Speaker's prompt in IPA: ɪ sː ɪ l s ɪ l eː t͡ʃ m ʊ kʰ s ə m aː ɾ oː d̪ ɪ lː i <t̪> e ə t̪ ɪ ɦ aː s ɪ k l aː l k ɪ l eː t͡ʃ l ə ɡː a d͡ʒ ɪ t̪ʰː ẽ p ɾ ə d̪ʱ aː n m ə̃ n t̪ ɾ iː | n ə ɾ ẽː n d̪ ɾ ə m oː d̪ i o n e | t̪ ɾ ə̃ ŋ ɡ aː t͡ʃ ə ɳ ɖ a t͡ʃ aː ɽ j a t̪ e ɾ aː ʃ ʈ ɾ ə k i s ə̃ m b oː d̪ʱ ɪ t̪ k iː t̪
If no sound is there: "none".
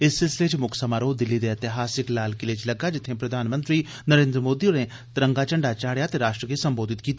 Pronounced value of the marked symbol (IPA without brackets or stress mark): d̪